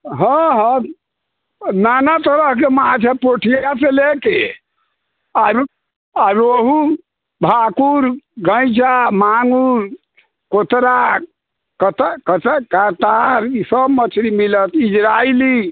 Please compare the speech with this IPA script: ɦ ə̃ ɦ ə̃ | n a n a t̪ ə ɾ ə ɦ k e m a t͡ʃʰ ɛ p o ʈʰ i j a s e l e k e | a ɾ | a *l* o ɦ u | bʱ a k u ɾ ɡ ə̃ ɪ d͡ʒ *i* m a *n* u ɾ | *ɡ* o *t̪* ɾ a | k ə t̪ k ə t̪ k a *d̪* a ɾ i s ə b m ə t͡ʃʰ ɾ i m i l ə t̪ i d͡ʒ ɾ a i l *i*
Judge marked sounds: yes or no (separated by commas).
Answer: no, no, no, no, yes, no, yes